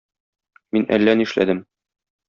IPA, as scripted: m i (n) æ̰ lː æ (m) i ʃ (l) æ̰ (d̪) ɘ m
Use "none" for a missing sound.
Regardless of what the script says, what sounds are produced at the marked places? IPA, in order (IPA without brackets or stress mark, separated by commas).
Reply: n, n, l, d̪